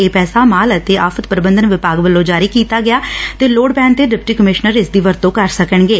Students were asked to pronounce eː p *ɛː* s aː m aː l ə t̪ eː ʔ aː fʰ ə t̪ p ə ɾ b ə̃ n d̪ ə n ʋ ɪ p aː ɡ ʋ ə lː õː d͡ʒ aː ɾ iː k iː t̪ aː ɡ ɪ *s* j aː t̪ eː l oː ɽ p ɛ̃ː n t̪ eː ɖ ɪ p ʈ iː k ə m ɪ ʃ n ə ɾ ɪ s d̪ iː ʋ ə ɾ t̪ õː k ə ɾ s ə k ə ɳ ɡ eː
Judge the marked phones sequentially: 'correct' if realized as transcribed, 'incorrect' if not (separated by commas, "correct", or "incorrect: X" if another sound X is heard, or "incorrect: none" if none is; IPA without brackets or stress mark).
correct, incorrect: none